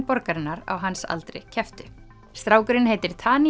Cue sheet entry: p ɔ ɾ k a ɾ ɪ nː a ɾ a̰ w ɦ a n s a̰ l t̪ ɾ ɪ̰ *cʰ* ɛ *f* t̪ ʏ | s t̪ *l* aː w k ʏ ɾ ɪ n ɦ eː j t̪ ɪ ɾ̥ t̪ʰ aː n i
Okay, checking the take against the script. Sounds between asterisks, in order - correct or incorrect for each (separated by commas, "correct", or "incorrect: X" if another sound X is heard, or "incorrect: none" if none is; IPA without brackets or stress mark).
correct, correct, incorrect: ɾ